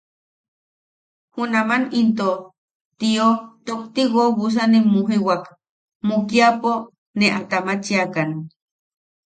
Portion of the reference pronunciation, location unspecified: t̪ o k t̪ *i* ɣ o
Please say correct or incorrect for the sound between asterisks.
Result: correct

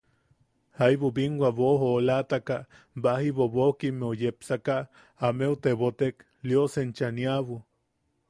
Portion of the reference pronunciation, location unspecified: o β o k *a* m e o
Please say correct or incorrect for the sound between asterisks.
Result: incorrect: i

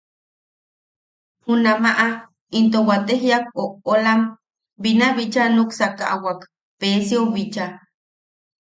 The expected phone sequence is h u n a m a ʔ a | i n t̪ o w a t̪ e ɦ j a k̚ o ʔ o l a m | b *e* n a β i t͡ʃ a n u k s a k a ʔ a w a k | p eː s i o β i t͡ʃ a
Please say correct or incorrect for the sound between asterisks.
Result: incorrect: i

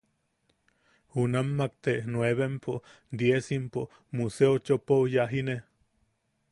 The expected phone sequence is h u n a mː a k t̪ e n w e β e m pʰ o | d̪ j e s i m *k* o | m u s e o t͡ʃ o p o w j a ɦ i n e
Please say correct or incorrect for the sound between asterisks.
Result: incorrect: p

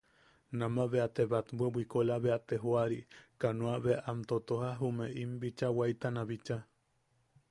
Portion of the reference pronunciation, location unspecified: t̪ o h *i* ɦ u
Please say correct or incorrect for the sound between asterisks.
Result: incorrect: a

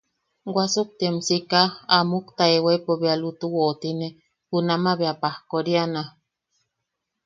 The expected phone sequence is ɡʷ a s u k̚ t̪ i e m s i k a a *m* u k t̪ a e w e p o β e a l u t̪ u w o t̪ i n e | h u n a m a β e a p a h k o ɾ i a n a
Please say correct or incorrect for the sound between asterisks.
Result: correct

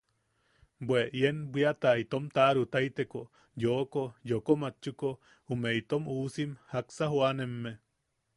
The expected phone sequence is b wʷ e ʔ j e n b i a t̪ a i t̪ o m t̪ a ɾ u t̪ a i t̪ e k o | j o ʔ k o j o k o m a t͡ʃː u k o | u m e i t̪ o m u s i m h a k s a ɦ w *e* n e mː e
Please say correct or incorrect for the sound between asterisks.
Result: incorrect: a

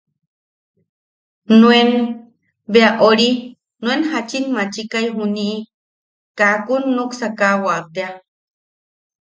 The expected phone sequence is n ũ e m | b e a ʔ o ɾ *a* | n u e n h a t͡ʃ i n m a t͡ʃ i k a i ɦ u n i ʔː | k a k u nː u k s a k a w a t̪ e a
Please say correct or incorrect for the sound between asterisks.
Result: incorrect: i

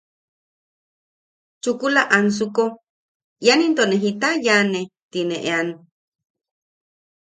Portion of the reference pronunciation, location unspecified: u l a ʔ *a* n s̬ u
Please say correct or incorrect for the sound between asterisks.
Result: correct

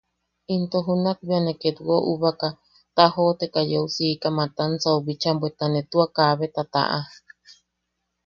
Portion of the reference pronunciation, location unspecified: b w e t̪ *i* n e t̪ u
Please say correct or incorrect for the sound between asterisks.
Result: incorrect: a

